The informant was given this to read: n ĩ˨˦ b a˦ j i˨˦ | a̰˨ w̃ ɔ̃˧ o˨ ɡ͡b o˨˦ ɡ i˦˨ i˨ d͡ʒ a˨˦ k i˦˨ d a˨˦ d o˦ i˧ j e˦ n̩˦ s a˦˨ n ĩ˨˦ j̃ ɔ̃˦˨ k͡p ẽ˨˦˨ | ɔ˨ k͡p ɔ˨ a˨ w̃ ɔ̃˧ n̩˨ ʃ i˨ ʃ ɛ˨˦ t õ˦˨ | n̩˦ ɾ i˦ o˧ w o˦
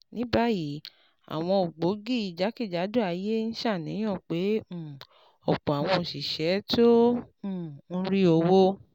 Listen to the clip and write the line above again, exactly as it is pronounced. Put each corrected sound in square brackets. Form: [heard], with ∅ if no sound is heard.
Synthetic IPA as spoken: n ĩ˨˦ b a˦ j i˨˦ | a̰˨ w̃ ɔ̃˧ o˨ ɡ͡b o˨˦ ɡ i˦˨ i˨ d͡ʒ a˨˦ k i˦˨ [d͡ʒ] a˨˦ d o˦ [a˧] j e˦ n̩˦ [ʃ] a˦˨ n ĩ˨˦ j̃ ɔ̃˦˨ k͡p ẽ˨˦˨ | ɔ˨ k͡p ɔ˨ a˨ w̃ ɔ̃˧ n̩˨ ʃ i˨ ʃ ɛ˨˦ t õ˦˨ | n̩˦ ɾ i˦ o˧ w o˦